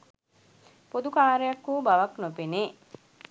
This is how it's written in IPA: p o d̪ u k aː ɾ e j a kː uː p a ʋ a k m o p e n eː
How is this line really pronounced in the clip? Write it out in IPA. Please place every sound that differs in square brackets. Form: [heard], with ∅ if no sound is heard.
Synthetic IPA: p o d̪ u k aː ɾ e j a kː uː [b] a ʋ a k [n] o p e n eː